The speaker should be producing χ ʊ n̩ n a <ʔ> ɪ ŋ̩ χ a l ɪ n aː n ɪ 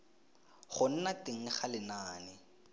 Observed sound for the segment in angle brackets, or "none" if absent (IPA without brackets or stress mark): t